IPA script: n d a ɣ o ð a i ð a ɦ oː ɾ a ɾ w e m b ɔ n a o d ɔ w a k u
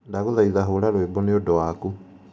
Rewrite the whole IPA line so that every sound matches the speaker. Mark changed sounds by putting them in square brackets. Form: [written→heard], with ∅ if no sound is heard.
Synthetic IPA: n d a ɣ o ð a i ð a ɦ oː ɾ a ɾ w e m b ɔ n [a→e] o d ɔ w a k u